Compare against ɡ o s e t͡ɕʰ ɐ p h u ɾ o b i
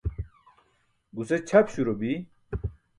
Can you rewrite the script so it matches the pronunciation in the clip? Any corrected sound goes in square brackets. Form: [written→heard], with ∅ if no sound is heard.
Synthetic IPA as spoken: ɡ [o→u] s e t͡ɕʰ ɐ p [h→ɕ] u ɾ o b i